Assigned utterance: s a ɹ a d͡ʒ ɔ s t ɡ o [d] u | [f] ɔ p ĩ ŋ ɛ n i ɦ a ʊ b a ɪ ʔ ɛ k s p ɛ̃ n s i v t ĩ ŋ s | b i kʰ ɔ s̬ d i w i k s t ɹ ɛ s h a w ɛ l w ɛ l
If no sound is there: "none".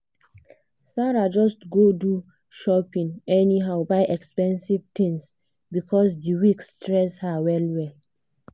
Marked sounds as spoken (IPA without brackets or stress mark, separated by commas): d, ʃ